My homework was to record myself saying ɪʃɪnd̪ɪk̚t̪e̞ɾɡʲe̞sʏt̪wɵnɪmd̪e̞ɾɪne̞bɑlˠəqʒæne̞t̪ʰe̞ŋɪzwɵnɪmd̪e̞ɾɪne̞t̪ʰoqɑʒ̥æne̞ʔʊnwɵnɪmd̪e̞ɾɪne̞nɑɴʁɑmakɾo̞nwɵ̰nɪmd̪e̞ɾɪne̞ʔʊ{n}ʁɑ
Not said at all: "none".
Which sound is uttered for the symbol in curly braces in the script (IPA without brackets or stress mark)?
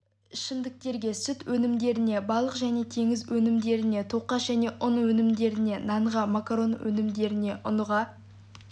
n